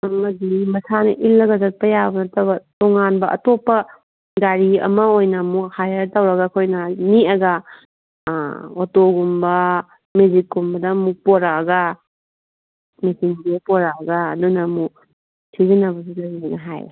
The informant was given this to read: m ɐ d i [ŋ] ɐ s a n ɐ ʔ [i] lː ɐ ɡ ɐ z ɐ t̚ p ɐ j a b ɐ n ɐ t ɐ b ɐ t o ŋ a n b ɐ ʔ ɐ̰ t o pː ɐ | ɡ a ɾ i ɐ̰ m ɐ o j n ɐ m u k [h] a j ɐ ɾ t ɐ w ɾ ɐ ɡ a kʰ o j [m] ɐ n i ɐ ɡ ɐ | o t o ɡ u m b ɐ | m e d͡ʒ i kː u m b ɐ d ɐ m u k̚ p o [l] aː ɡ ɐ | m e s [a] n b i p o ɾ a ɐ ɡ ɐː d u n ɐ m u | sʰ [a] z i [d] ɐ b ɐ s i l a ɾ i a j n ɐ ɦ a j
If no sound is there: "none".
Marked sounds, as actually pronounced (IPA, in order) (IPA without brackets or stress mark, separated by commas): m, i, h, n, ɾ, i, i, n